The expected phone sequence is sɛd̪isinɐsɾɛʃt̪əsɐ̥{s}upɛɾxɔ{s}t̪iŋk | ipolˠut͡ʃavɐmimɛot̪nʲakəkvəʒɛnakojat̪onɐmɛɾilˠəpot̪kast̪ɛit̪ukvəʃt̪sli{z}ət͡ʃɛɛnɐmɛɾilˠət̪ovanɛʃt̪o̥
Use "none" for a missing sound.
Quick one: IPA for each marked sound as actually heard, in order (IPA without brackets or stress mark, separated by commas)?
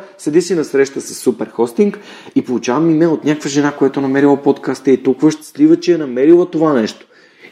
sː, s, v